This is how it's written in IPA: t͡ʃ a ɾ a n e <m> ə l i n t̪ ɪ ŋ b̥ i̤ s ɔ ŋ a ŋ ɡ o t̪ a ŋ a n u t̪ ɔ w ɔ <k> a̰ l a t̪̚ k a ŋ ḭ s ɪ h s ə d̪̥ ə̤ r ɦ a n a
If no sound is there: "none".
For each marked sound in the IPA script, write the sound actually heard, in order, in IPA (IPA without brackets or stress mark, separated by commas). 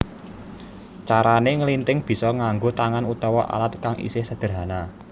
ŋ, ʔ